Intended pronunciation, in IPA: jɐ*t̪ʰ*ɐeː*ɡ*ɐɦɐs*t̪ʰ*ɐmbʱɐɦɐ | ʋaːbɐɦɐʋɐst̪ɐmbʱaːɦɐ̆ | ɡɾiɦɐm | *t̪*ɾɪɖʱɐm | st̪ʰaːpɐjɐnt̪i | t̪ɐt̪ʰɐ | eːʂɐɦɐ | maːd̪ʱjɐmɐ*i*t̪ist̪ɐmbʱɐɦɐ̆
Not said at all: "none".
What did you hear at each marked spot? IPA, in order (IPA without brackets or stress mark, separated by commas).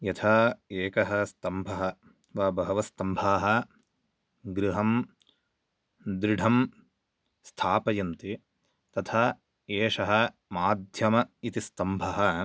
t̪ʰ, k, t̪, d̪, i